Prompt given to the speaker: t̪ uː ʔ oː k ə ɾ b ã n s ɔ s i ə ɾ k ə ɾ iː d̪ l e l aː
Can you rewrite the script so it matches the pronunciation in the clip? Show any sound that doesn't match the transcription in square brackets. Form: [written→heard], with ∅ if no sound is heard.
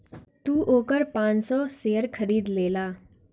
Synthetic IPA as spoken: t̪ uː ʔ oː k ə ɾ [b→p] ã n s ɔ s [i→e] ə ɾ [k→kʰ] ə ɾ iː d̪ l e l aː